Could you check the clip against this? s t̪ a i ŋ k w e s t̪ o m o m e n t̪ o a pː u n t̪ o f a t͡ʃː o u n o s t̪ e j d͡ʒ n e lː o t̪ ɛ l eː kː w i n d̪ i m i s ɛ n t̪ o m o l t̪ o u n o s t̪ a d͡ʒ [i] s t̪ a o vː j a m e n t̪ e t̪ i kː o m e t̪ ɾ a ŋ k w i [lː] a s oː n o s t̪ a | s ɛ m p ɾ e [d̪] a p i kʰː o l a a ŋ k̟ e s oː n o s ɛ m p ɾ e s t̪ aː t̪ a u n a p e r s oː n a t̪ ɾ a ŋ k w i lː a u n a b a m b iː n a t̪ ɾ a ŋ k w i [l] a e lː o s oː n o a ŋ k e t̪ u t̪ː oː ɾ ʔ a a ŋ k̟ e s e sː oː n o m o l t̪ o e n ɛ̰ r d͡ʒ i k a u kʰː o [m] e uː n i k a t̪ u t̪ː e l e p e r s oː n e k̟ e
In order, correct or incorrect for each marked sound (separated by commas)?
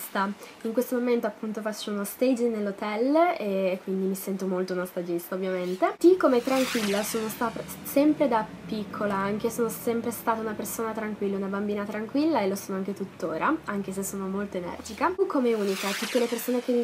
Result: correct, correct, correct, incorrect, correct